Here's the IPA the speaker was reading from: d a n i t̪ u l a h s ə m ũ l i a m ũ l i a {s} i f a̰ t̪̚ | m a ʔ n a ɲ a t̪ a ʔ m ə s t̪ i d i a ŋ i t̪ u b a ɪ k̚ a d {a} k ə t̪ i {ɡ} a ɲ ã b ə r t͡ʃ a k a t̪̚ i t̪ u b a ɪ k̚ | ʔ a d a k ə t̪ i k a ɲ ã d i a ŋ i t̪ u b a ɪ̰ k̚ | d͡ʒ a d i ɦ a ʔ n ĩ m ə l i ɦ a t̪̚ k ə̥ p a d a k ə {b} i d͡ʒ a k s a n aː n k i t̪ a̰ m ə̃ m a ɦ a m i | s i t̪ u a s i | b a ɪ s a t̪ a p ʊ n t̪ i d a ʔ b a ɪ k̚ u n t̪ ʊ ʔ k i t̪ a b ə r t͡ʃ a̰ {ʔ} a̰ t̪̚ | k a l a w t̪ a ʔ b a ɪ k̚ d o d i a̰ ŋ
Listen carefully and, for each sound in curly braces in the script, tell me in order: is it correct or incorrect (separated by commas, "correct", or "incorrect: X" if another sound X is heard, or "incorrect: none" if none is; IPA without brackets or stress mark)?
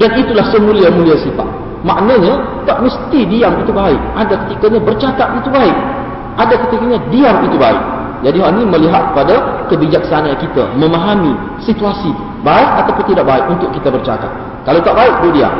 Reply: correct, correct, incorrect: k, correct, incorrect: k